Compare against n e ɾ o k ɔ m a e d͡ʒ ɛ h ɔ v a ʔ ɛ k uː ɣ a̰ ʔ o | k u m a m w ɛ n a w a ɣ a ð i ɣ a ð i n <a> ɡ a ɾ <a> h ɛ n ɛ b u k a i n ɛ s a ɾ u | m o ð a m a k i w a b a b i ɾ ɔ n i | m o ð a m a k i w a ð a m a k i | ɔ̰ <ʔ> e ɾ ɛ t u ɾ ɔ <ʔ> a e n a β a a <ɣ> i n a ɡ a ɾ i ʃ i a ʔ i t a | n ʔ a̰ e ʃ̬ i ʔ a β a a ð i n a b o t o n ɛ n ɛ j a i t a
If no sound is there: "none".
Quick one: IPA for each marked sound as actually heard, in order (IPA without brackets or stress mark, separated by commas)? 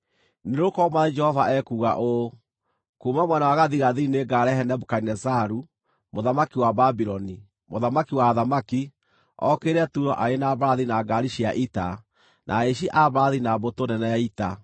e, ɛ, k, ʔ, ð